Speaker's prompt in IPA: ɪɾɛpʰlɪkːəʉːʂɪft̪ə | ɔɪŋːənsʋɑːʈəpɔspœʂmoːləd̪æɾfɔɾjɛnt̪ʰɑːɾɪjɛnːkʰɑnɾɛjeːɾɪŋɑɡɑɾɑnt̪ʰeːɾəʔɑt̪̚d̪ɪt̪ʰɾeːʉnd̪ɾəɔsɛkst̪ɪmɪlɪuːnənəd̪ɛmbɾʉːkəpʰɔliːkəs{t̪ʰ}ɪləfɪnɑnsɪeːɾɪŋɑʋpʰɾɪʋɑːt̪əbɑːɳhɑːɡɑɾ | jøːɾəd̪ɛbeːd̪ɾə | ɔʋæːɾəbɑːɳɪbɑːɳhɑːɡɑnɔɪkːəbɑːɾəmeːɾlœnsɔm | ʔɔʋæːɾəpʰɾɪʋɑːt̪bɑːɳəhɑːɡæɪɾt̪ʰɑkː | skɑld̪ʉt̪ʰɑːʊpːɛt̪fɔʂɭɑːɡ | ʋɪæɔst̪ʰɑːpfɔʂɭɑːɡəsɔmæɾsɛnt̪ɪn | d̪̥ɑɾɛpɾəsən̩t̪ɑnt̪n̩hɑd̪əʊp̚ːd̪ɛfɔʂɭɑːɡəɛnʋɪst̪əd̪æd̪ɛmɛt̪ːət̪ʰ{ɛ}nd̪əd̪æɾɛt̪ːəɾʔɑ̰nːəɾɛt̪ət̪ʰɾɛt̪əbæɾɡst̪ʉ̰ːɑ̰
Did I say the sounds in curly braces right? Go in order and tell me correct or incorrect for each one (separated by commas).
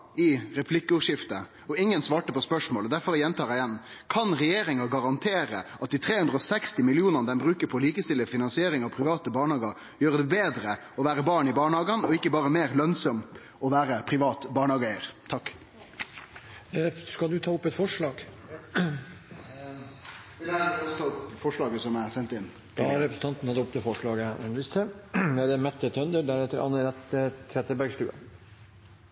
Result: incorrect, incorrect